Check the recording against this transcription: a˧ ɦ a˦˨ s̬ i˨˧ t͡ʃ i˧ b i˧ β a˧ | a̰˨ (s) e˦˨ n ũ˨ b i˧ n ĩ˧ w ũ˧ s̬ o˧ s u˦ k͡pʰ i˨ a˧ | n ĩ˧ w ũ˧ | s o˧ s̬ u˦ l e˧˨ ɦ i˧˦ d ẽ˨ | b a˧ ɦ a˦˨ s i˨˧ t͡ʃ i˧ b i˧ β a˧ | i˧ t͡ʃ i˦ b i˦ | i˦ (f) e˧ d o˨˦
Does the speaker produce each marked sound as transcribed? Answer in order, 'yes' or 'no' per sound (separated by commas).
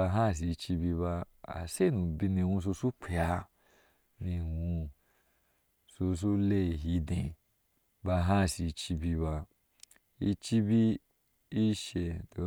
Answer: yes, no